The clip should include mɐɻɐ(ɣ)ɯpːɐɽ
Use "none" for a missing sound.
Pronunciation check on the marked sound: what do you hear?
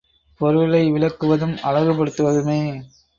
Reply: ɣ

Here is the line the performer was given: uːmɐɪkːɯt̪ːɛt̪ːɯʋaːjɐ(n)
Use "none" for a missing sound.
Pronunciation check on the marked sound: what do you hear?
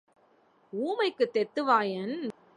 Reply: n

